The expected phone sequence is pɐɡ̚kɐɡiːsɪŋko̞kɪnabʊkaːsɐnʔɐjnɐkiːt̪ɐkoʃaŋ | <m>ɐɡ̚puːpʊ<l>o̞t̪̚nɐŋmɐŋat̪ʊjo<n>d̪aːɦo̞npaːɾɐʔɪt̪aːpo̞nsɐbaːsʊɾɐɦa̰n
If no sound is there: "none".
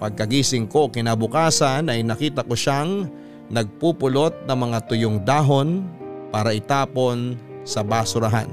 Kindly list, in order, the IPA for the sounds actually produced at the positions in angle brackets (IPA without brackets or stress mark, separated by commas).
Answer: n, l, ŋ